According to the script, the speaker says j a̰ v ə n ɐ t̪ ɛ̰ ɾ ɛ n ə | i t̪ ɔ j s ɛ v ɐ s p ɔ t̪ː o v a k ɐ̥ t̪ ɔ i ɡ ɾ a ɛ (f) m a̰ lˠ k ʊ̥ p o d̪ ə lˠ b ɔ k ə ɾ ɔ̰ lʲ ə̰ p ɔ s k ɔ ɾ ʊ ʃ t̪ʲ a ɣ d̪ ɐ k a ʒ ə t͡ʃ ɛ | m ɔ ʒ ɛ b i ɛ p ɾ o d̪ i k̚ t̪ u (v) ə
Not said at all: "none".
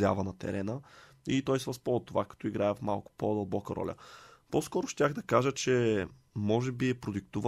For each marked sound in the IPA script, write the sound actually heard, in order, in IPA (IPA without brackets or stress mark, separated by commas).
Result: f, v